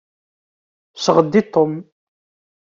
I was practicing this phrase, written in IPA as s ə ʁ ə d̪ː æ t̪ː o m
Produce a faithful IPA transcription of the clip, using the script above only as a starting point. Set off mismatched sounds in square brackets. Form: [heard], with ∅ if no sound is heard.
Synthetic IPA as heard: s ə ʁ ə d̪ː [i] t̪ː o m

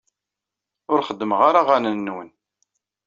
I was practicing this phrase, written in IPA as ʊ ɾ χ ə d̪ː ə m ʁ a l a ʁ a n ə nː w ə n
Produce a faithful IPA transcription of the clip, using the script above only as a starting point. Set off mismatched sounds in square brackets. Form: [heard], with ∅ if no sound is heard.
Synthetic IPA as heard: ʊ ɾ χ ə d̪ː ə m ʁ a [ɾ] a ʁ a n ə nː w ə n

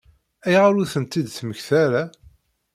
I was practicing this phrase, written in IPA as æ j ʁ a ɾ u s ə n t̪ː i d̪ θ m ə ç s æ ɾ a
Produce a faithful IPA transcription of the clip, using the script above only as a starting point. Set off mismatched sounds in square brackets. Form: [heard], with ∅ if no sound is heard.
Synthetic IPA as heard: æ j ʁ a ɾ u [θ] ə n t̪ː i d̪ θ m ə ç [θ] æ ɾ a

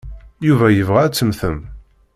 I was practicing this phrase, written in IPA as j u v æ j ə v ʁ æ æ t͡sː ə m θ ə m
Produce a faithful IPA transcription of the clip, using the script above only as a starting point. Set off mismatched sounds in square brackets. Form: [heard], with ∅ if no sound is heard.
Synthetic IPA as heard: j u v æ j ə v ʁ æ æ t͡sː ə m θ ə m

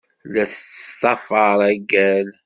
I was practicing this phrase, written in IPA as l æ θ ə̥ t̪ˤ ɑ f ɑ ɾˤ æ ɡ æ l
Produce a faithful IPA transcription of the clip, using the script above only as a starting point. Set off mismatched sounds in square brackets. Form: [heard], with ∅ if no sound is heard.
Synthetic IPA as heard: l æ θ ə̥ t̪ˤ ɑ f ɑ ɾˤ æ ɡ æ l

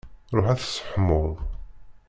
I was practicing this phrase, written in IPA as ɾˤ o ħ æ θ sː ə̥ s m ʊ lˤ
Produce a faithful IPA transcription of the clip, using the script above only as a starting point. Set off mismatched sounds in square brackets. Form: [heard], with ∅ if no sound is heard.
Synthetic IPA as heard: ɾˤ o ħ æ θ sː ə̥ [ħ] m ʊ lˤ

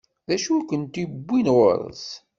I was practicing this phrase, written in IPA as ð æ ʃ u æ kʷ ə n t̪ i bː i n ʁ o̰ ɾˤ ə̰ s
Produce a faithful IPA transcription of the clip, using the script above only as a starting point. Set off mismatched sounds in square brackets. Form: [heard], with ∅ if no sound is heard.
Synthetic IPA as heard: ð æ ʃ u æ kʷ ə n t̪ i bː i n ʁ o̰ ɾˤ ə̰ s

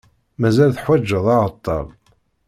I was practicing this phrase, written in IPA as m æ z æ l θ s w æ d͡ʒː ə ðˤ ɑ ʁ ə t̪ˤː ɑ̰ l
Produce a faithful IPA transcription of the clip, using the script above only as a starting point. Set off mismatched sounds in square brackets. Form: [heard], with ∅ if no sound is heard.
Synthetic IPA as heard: m æ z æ l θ [ħ] w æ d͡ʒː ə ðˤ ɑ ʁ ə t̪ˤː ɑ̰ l

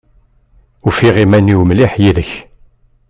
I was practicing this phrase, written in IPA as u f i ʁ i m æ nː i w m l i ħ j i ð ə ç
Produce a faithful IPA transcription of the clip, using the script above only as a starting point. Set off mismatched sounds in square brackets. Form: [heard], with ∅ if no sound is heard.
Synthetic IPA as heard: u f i ʁ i m æ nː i w m l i ħ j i ð ə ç

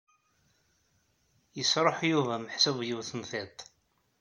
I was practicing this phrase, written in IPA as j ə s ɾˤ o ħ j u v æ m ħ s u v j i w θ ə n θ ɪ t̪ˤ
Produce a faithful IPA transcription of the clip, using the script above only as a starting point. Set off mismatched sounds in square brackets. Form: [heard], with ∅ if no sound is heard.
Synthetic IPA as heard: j ə s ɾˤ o ħ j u v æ m ħ s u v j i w θ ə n θ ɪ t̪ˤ

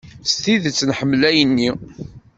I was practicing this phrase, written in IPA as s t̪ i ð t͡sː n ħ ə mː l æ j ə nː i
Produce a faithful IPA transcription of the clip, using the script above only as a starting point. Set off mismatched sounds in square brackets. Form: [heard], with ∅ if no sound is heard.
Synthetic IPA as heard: s t̪ i ð t͡sː n ħ ə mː l æ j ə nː i

